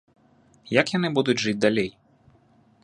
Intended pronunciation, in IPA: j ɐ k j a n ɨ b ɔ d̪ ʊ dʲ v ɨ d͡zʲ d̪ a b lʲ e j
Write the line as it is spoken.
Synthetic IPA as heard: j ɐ k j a n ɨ b u d̪ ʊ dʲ ʐ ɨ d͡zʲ d̪ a lʲ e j